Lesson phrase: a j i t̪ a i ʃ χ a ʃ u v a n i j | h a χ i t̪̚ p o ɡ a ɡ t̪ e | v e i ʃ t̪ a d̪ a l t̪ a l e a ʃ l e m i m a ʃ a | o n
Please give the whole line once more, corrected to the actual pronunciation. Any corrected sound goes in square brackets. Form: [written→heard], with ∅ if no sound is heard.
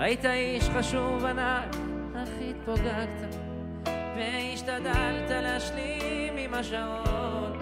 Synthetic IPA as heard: a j i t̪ a i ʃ χ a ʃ u v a n [i→a] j | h a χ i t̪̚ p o ɡ a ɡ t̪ [e→a] | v e i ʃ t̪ a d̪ a l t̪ a l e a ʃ l [e→i] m i m a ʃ a | o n